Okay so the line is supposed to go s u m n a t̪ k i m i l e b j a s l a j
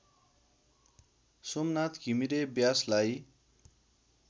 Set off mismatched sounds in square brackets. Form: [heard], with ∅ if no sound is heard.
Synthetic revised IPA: s [o] m n a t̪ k i m i [ɾ] e b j a s l a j